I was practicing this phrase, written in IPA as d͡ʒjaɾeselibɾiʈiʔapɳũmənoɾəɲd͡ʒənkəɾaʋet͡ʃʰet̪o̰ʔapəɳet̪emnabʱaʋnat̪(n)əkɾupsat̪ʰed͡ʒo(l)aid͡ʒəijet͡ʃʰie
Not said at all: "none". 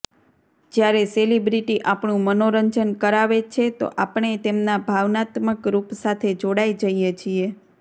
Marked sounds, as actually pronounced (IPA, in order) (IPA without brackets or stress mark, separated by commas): m, ɽ